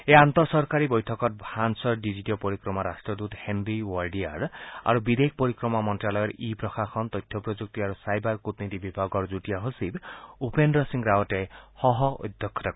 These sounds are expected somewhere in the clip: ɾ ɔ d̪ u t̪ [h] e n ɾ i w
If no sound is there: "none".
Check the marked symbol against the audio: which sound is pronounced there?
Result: h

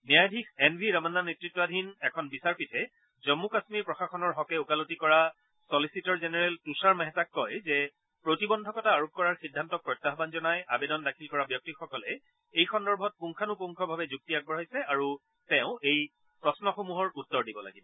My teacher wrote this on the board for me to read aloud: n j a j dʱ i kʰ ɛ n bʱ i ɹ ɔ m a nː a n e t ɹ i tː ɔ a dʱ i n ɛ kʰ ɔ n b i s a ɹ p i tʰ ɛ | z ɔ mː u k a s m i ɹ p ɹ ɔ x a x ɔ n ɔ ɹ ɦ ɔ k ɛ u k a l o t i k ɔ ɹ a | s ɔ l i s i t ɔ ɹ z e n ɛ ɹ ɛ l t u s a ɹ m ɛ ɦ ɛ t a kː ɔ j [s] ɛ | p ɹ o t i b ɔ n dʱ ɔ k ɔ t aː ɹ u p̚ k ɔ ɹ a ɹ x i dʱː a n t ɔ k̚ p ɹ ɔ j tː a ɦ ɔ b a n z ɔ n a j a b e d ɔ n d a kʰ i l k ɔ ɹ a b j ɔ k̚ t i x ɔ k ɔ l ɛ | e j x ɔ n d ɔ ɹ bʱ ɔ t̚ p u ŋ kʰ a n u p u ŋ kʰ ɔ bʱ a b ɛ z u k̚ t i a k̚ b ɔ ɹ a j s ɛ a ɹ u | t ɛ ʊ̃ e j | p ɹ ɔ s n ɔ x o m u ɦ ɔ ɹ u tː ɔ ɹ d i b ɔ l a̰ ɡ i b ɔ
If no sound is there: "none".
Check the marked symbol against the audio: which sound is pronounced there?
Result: z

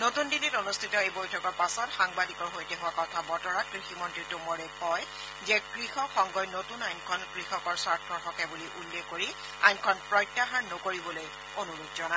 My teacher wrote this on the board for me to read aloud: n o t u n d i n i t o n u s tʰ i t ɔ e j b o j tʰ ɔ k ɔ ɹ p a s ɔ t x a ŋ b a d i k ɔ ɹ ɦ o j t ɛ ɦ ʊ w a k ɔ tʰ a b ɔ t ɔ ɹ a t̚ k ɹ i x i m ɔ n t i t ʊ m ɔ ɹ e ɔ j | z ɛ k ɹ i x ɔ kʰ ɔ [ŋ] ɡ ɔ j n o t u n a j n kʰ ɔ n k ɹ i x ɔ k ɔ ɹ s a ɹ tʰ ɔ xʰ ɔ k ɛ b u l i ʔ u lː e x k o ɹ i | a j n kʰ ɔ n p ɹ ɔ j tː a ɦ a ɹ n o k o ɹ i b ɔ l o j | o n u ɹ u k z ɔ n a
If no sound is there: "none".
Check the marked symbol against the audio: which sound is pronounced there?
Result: ŋ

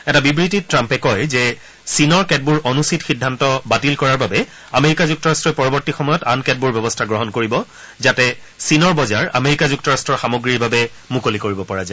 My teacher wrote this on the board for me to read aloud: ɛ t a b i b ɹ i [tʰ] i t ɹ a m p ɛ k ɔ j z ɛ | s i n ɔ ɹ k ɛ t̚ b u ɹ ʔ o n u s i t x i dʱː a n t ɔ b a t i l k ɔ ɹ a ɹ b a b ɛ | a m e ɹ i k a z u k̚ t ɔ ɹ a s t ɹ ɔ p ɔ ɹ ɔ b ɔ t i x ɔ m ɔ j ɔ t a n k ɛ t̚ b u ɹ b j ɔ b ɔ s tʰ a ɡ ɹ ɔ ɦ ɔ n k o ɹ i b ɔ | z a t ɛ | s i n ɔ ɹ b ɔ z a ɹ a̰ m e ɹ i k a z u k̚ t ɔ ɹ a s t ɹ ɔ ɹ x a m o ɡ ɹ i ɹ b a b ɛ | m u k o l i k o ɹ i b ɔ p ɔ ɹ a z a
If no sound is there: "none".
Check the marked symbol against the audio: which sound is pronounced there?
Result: t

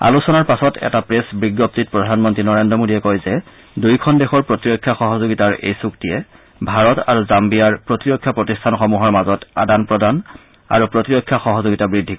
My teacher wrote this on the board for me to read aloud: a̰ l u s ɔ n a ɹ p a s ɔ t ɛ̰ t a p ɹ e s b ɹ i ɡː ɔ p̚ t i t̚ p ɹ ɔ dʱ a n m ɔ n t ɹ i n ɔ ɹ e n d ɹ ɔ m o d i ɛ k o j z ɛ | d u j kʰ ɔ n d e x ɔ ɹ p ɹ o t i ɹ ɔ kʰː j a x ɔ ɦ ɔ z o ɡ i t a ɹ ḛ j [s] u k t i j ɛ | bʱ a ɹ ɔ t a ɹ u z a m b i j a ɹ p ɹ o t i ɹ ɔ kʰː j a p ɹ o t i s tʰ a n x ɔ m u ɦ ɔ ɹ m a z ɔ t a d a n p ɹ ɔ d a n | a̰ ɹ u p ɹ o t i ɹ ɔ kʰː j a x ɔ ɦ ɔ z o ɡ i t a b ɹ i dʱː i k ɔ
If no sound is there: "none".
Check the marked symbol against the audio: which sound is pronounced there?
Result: s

